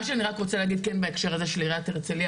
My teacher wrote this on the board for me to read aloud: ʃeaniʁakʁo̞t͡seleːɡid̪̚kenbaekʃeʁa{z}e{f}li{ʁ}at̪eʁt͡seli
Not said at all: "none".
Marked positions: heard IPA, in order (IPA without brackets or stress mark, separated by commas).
z, ʃ, ʁ